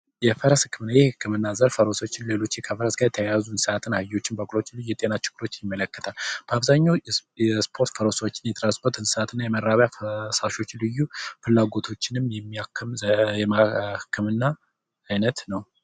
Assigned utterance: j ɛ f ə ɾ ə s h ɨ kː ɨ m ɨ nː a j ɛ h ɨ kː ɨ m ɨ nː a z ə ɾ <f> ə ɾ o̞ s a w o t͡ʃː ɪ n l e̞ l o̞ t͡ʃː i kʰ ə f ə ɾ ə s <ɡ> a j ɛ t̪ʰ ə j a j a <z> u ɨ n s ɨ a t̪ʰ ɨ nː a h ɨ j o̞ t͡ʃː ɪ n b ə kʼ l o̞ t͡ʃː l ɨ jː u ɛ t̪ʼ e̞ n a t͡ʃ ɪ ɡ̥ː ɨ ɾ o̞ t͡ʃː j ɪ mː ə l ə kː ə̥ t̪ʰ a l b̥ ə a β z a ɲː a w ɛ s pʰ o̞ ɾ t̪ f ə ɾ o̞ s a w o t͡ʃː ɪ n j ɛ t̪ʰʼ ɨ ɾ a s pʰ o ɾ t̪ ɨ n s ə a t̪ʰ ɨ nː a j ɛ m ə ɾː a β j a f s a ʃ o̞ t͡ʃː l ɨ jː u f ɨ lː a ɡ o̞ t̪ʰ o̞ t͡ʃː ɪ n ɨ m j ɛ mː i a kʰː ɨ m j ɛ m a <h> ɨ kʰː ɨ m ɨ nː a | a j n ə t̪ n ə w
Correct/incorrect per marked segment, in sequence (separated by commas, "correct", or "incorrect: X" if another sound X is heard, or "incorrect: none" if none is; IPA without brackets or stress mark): correct, correct, correct, correct